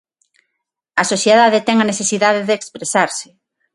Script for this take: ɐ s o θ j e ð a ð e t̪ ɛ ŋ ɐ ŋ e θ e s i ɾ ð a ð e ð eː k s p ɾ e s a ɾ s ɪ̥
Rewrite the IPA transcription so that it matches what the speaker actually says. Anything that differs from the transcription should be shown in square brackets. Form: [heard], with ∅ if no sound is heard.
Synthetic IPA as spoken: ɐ s o θ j e ð a ð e t̪ ɛ ŋ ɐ [n] e θ e s i [∅] ð a ð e ð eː k s p ɾ e s a ɾ s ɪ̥